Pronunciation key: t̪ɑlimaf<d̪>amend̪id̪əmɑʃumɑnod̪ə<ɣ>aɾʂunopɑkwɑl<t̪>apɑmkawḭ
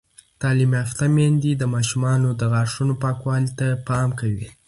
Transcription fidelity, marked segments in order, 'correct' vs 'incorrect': incorrect: t̪, correct, correct

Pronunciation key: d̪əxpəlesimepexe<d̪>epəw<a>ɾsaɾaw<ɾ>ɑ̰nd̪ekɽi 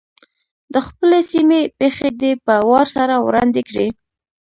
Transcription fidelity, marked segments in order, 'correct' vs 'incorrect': correct, incorrect: ɑ, correct

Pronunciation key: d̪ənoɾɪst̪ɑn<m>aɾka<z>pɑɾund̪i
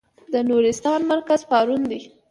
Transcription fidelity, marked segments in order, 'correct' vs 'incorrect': correct, correct

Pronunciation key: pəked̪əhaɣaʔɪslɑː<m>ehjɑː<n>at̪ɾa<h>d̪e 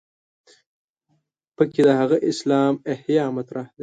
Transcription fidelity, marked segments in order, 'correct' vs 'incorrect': correct, incorrect: m, correct

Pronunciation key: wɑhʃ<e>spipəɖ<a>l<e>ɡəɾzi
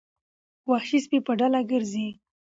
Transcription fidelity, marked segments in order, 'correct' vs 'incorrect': incorrect: i, correct, incorrect: a

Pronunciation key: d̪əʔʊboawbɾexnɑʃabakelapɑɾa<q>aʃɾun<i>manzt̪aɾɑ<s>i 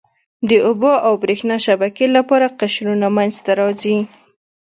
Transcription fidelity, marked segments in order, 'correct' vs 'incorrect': correct, incorrect: a, incorrect: z

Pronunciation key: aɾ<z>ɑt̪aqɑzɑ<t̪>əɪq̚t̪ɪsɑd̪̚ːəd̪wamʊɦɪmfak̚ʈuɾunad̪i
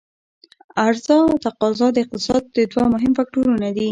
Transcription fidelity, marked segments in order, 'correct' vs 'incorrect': correct, incorrect: d̪

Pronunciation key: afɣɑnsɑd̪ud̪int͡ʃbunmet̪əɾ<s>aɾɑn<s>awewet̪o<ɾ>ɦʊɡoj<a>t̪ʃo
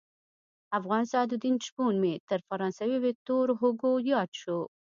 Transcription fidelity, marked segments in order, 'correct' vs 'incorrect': incorrect: f, correct, correct, incorrect: ɑ

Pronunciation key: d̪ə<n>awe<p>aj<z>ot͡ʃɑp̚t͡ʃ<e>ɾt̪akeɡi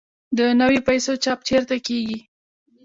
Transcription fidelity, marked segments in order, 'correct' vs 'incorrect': correct, correct, incorrect: s, correct

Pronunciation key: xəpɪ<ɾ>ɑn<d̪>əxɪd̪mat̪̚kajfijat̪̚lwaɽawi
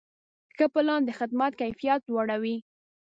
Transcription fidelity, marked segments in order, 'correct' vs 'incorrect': incorrect: l, correct

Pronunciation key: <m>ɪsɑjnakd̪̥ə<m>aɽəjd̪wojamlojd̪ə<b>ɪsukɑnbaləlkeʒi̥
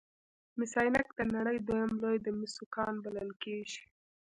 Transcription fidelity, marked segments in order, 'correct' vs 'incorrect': correct, incorrect: n, incorrect: m

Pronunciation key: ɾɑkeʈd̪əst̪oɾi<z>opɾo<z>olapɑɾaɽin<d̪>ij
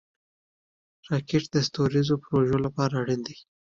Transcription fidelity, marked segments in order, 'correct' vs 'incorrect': correct, incorrect: ʒ, correct

